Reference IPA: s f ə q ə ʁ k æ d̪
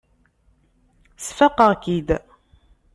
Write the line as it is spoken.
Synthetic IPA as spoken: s f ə q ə ʁ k i d̪